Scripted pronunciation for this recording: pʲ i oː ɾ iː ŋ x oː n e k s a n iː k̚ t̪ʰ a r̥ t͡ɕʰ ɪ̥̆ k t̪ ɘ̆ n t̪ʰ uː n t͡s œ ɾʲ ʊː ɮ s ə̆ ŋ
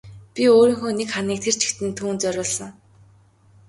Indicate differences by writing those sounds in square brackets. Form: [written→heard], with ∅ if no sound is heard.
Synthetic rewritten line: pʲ i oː ɾ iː ŋ x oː n e k [s→χ] a n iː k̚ t̪ʰ [a→e] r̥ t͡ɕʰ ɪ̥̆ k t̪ ɘ̆ n t̪ʰ uː n t͡s œ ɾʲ ʊː ɮ s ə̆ ŋ